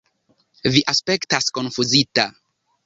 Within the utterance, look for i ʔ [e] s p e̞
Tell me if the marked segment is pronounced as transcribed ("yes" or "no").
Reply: no